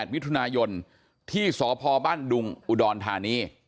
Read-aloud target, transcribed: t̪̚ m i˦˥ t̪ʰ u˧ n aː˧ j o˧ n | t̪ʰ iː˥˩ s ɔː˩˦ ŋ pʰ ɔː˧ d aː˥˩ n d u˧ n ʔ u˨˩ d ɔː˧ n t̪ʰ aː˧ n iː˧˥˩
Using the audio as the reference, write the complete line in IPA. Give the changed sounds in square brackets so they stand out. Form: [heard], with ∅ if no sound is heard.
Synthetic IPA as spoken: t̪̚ m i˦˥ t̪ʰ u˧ n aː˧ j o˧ n | t̪ʰ iː˥˩ s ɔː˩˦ [∅] pʰ ɔː˧ [b] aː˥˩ n d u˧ [ŋ] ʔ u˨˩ d ɔː˧ n t̪ʰ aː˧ n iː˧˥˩